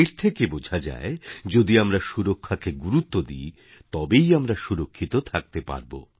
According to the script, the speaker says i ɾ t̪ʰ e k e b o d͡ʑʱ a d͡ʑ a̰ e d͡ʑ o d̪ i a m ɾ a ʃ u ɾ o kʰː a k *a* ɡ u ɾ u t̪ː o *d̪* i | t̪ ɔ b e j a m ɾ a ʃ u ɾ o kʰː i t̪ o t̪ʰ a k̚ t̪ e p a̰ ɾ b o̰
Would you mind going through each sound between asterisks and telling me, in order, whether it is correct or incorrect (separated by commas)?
incorrect, correct